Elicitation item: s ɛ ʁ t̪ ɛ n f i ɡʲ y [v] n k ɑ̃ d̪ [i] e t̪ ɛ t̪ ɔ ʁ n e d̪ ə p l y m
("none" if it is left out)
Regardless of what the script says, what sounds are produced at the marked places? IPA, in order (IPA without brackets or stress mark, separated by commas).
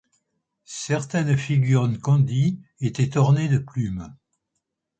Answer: ʁ, i